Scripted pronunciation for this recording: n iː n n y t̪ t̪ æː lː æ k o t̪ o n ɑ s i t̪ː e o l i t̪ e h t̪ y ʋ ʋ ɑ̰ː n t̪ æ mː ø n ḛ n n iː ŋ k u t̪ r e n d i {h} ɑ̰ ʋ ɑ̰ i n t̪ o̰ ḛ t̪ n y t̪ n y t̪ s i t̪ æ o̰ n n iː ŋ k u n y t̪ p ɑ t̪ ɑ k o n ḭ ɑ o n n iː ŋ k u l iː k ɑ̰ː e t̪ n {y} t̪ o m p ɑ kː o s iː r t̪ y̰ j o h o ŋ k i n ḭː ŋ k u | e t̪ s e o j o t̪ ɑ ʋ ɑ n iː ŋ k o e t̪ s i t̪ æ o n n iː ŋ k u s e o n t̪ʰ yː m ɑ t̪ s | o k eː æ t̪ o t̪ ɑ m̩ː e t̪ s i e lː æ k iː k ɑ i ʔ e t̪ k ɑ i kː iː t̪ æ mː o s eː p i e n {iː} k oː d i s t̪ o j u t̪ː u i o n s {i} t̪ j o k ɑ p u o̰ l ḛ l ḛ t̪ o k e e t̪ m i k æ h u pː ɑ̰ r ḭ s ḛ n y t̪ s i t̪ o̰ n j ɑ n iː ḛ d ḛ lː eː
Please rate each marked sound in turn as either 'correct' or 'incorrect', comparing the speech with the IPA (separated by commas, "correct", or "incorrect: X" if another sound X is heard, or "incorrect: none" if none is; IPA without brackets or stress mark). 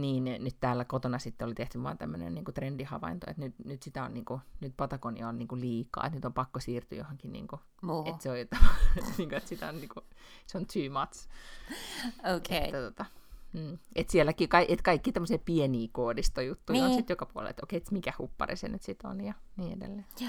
correct, correct, correct, correct